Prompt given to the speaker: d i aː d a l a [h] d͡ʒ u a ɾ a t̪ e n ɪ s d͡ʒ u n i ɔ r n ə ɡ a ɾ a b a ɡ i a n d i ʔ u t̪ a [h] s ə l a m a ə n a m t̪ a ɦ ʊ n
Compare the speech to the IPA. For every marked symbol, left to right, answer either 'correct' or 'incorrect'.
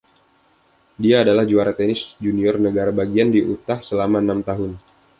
correct, correct

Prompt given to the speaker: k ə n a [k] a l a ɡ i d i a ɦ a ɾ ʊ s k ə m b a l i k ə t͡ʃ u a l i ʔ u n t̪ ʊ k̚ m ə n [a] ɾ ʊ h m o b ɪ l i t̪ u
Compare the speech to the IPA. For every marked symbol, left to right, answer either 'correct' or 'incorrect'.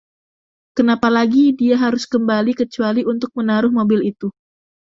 incorrect: p, correct

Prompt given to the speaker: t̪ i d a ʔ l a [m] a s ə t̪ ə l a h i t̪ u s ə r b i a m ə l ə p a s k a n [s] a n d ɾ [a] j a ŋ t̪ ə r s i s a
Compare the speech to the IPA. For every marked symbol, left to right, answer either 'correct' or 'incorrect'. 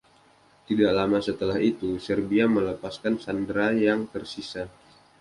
correct, correct, correct

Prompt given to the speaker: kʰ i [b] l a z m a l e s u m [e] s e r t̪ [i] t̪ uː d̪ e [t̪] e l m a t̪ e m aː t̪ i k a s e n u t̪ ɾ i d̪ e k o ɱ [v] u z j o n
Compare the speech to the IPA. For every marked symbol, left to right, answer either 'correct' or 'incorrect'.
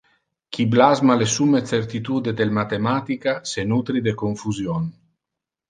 correct, correct, correct, incorrect: d̪, incorrect: f

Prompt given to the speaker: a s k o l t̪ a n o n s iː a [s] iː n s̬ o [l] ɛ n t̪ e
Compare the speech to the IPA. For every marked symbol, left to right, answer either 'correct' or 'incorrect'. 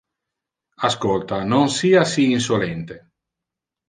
correct, correct

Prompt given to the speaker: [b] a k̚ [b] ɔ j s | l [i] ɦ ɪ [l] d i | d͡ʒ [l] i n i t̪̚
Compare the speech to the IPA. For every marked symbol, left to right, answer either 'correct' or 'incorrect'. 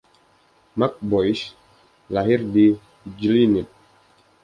incorrect: m, correct, incorrect: a, incorrect: r, correct

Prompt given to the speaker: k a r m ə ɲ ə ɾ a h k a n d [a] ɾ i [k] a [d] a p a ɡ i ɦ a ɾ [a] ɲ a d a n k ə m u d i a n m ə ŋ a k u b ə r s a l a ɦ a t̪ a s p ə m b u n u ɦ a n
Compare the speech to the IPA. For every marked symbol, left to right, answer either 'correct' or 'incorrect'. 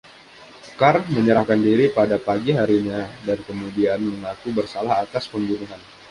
incorrect: i, incorrect: p, correct, incorrect: i

